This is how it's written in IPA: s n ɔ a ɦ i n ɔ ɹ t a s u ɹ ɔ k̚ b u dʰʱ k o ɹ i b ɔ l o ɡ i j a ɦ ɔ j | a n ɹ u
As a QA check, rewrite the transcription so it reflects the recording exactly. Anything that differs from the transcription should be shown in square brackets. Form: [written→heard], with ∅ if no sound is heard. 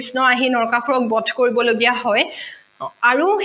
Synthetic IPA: s n ɔ a ɦ i n ɔ ɹ [t→k] a [s→x] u ɹ ɔ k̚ b [u→ɔ] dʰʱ k o ɹ i b ɔ l o ɡ i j a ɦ ɔ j | a [n→∅] ɹ u